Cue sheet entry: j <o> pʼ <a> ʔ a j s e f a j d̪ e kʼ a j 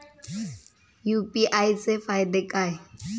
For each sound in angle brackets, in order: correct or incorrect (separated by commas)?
incorrect, incorrect